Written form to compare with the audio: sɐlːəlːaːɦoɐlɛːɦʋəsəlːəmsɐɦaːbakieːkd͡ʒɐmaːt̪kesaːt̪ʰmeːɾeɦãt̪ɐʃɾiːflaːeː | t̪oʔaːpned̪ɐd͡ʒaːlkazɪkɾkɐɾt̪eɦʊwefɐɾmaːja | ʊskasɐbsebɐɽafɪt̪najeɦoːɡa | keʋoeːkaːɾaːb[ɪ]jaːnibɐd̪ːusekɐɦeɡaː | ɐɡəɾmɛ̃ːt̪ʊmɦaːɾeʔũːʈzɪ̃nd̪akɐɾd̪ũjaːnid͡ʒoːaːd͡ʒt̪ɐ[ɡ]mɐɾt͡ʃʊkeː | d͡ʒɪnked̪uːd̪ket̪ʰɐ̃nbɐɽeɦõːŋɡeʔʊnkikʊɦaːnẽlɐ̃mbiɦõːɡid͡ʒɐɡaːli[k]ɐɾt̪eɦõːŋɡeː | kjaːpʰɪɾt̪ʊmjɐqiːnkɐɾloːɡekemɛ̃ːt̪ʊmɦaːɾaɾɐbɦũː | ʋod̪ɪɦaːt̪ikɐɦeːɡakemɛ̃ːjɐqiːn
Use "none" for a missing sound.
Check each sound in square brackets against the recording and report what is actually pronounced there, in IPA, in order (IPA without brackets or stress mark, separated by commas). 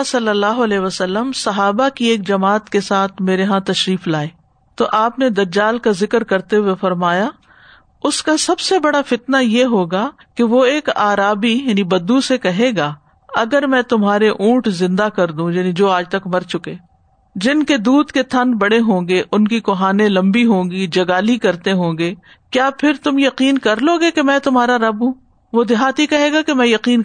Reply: i, k, k